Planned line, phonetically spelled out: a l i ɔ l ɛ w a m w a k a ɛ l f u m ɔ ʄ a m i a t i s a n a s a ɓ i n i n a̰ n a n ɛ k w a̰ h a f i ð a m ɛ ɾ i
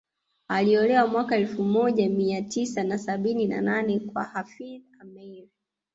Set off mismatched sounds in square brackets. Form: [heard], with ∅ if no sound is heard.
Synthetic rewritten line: a l i ɔ l ɛ w a m w a k a ɛ l f u m ɔ ʄ a m i a t i s a n a s a ɓ i n i n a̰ n a n ɛ k w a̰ h a f i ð a m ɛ ɾ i